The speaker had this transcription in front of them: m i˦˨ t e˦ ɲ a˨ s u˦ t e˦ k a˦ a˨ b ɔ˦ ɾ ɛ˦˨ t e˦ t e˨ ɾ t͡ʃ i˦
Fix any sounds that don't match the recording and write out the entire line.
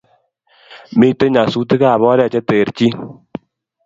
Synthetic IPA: m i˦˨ t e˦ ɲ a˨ s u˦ t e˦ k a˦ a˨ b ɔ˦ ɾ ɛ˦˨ t͡ʃ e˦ t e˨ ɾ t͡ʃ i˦